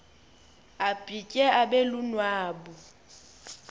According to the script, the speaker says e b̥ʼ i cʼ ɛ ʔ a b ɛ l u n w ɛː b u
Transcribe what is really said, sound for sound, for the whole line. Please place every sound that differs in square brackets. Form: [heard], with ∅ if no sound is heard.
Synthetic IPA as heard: [a] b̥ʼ i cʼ ɛ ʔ a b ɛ l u n w [aː] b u